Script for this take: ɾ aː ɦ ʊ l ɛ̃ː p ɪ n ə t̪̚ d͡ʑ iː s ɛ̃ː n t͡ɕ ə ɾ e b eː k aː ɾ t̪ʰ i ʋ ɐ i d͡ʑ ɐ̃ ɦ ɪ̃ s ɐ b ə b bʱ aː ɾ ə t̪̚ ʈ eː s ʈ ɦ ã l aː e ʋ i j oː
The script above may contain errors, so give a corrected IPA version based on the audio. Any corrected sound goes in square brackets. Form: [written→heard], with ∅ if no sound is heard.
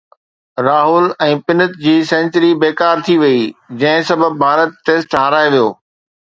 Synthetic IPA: ɾ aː ɦ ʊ l ɛ̃ː p ɪ n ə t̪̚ d͡ʑ iː s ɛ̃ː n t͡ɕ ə ɾ [e→i] b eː k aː ɾ t̪ʰ i ʋ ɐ i d͡ʑ ɐ̃ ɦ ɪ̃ s ɐ b ə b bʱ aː ɾ ə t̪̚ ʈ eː s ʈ ɦ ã [l→ɾ] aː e ʋ i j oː